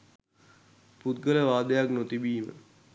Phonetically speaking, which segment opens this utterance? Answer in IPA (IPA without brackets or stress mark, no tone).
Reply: p